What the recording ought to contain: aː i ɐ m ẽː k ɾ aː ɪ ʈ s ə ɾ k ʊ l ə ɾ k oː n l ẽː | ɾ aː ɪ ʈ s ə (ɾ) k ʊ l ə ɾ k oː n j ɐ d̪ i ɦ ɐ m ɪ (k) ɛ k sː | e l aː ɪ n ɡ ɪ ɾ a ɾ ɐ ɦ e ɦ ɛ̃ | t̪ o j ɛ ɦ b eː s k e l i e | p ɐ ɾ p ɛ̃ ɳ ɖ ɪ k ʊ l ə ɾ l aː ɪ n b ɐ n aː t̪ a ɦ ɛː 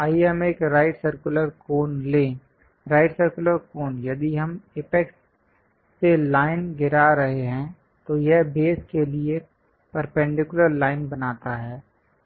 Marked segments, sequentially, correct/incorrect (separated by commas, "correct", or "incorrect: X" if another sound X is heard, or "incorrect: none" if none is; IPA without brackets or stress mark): correct, incorrect: p